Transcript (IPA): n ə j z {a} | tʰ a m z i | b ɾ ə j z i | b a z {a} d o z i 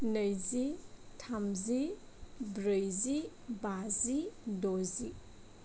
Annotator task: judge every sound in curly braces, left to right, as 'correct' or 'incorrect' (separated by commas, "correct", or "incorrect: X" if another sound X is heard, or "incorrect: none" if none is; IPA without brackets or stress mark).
incorrect: i, incorrect: i